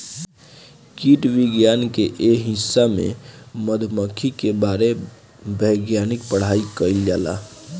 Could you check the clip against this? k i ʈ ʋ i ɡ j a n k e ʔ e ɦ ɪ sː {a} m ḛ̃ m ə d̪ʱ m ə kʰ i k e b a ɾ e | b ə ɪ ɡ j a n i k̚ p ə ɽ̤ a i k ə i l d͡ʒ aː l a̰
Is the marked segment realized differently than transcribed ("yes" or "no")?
no